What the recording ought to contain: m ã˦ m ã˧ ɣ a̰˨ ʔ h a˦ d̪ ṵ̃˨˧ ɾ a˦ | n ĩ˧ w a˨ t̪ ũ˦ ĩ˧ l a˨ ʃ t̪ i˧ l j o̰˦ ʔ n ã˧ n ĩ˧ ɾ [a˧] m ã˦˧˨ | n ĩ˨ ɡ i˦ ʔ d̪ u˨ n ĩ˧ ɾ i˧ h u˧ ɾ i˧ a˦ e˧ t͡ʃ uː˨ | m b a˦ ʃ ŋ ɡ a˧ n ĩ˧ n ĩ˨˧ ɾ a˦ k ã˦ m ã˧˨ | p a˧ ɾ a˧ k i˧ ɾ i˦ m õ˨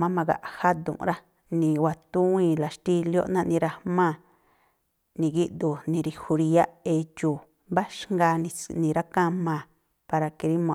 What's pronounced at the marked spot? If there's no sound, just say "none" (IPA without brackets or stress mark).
a˧